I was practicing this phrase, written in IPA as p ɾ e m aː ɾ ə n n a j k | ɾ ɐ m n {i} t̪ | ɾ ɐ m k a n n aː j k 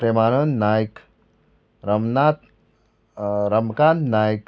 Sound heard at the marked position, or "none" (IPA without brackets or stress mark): a